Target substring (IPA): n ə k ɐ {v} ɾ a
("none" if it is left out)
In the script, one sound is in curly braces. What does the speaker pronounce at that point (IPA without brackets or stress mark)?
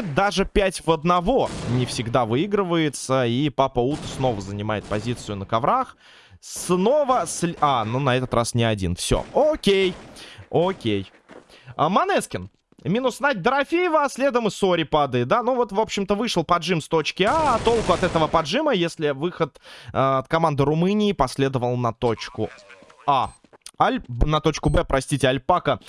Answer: v